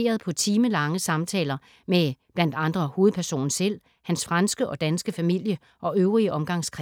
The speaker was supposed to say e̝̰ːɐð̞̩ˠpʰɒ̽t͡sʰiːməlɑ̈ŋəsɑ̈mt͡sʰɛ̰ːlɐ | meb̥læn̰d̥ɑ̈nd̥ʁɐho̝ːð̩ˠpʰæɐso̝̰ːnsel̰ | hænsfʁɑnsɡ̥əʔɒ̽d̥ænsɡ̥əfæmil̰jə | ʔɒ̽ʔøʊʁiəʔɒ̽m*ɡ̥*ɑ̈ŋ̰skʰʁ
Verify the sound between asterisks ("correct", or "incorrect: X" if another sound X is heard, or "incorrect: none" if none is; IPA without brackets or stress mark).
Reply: correct